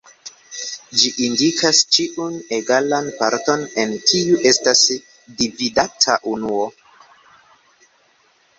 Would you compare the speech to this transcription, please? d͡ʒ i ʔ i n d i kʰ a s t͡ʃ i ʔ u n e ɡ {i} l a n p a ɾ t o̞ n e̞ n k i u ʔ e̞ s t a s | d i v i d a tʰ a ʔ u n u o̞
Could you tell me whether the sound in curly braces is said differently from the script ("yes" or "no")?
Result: yes